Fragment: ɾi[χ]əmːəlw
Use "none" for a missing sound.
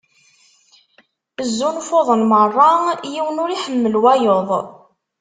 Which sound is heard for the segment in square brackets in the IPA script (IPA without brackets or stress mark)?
ħ